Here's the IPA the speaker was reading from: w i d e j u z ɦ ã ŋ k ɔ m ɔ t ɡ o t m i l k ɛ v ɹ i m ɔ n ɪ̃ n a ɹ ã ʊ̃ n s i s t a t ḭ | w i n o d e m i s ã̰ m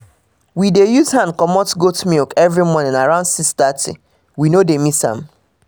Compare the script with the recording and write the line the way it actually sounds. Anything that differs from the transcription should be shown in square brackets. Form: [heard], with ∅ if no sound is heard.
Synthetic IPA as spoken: w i d e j u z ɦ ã [n] k ɔ m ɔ t ɡ o t m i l k ɛ v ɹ i m ɔ n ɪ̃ n a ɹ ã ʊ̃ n s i s t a t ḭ | w i n o d e m i s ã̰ m